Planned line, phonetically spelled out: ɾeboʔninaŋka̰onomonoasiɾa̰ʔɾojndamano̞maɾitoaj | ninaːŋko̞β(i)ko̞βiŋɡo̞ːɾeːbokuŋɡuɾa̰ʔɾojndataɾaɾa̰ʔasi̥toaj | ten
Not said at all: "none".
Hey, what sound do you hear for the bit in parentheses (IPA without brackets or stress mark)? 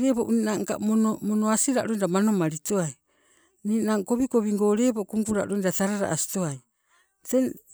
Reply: i